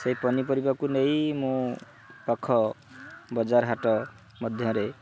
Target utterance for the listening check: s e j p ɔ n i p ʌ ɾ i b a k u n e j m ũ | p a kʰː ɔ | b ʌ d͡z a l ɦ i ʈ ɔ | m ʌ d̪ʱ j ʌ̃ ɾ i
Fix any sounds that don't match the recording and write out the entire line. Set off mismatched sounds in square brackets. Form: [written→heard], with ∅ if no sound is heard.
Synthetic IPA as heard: s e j p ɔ n i p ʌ ɾ i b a k u n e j m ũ | p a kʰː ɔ | b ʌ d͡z a [l→ɾ] ɦ [i→a] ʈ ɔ | m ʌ d̪ʱ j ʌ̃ ɾ [i→e]